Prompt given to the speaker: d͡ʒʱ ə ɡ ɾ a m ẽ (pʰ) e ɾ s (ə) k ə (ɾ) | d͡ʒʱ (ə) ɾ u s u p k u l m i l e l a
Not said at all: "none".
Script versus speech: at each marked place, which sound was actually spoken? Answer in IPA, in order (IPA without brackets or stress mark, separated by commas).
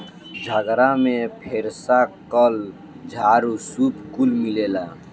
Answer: pʰ, a, l, a